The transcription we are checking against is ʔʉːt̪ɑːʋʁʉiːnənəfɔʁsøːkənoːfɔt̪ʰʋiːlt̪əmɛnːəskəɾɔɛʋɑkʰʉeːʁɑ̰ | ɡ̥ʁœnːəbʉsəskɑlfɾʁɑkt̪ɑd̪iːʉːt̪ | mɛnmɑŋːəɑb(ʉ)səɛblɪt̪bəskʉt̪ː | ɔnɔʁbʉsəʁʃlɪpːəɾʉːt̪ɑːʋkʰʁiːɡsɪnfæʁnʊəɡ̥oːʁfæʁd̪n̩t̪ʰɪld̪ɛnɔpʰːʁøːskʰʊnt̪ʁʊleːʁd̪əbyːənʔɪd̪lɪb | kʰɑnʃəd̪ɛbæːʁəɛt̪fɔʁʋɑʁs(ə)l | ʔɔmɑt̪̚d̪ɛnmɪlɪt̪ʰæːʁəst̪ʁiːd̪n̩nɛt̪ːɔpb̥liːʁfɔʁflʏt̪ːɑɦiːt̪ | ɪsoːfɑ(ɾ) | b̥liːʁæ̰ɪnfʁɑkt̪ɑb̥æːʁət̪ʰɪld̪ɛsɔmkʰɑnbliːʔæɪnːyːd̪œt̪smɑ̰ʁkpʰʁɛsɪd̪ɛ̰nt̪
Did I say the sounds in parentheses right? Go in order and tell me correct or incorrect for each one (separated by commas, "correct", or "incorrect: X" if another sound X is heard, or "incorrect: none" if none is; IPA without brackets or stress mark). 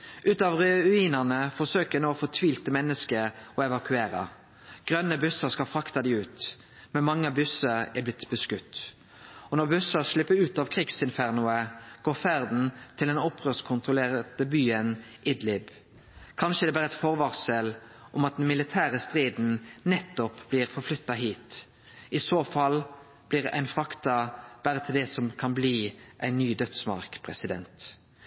correct, correct, incorrect: l